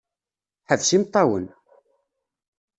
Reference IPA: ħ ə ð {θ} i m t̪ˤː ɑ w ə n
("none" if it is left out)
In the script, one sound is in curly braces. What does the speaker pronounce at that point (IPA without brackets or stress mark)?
s